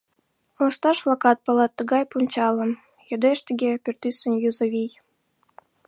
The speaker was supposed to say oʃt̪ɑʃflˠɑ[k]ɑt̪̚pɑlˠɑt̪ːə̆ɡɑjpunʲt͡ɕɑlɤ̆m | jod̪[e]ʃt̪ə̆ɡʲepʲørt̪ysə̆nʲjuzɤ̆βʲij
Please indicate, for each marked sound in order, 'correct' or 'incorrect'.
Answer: correct, correct

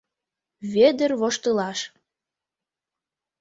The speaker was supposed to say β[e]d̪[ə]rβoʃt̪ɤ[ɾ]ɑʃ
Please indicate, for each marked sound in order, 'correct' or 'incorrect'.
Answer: correct, correct, incorrect: l

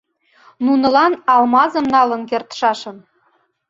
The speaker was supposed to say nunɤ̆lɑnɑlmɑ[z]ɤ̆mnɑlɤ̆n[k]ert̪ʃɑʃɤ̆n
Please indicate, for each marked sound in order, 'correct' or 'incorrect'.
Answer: correct, correct

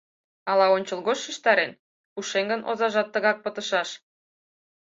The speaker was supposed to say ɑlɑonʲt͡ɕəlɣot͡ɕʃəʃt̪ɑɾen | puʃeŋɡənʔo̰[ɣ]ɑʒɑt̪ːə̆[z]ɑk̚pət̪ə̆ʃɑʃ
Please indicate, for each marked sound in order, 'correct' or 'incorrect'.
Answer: incorrect: z, incorrect: ɣ

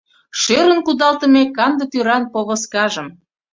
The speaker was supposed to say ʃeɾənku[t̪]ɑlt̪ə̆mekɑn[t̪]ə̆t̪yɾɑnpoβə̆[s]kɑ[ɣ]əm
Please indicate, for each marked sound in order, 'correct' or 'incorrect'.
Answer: incorrect: d̪, incorrect: d̪, correct, incorrect: ʒ

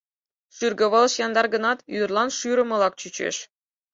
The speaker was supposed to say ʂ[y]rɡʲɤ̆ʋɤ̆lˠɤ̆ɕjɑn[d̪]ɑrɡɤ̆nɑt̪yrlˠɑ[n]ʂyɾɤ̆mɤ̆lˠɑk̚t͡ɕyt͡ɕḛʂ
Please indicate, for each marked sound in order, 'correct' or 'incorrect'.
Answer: correct, correct, correct

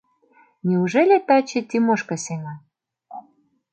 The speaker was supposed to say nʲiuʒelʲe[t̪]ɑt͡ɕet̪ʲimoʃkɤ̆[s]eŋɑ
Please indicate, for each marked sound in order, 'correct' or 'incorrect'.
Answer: correct, correct

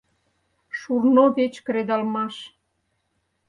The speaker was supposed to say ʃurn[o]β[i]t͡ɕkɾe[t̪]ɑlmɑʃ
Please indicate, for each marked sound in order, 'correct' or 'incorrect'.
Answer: correct, incorrect: e, incorrect: d̪

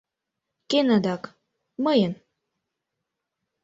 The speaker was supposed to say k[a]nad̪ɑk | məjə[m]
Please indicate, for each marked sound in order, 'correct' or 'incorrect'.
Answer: incorrect: e, incorrect: n

